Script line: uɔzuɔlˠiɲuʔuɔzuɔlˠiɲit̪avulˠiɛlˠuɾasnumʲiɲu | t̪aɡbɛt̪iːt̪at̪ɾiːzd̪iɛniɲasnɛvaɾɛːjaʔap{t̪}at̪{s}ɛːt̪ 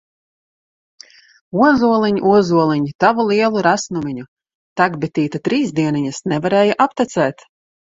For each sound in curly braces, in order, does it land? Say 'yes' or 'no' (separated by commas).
yes, yes